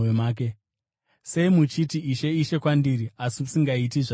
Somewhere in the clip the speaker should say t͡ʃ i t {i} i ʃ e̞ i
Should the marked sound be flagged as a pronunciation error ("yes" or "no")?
no